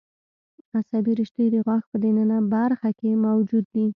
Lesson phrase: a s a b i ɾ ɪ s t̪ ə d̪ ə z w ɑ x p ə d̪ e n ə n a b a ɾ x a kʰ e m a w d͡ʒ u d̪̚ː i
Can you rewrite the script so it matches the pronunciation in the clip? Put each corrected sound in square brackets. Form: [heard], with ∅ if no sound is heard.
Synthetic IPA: a s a b i ɾ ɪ [ʃ] t̪ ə d̪ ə [ɣ] w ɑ x p ə d̪ e n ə n a b a ɾ x a [k] e m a w d͡ʒ u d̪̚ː i